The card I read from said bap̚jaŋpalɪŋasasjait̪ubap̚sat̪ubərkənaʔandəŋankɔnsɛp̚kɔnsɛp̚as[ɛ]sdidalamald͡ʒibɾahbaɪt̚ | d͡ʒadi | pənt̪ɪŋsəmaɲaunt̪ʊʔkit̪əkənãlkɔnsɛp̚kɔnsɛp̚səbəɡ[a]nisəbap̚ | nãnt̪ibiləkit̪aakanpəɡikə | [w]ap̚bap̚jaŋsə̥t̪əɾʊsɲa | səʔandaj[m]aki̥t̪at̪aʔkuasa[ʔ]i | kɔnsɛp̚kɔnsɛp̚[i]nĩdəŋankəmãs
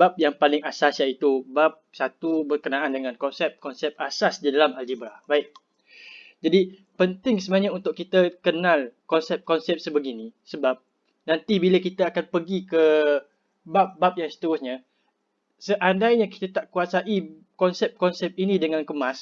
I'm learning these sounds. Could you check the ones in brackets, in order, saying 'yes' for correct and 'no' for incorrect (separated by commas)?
no, no, no, no, yes, yes